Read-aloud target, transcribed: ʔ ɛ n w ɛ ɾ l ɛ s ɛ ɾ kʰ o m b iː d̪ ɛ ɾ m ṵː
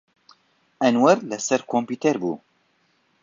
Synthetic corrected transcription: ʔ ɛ n w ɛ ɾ l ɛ s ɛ ɾ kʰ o m p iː t̪ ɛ ɾ b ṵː